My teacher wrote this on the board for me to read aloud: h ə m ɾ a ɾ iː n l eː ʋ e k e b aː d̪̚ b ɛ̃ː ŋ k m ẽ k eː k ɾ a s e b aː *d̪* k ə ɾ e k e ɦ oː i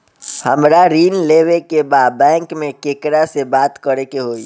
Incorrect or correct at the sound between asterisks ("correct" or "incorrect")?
incorrect